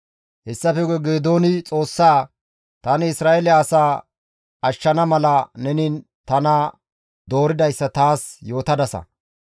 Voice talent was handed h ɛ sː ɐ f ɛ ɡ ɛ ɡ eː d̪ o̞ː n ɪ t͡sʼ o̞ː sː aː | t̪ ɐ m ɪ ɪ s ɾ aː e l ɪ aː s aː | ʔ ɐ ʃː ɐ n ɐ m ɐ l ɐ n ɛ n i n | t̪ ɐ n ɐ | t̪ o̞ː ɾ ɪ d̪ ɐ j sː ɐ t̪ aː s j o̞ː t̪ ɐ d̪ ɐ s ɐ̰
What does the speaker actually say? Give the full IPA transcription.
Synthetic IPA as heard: h ɛ sː ɐ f ɛ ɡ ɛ ɡ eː d̪ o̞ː n ɪ t͡sʼ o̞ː sː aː | t̪ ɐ n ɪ ɪ s ɾ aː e l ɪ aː s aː | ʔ ɐ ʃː ɐ n ɐ m ɐ l ɐ n ɛ n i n | t̪ ɐ n ɐ | d̪ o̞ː ɾ ɪ d̪ ɐ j sː ɐ t̪ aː s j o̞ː t̪ ɐ d̪ ɐ s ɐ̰